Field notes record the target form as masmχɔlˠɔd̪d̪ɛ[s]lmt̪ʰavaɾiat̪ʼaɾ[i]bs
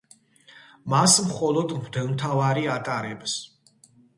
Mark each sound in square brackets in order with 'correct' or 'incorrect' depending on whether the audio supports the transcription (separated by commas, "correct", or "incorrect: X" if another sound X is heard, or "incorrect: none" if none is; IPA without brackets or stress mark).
incorrect: none, incorrect: ɛ